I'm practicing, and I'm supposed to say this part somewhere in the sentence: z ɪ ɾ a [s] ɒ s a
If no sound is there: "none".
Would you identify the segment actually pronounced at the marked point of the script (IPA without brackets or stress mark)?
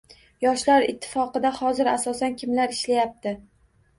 s